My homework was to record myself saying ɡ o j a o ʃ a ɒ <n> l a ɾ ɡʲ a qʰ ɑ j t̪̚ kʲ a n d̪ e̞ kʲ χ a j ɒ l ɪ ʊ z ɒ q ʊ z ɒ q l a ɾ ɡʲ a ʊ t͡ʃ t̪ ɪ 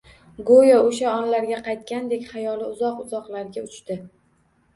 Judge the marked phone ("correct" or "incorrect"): correct